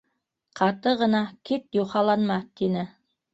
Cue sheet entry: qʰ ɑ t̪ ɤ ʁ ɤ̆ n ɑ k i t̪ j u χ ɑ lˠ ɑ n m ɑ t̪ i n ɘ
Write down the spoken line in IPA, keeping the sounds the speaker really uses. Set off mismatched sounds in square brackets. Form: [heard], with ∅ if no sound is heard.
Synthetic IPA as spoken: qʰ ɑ t̪ ɤ ʁ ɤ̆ n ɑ k i t̪ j u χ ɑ lˠ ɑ n m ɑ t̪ i n ɘ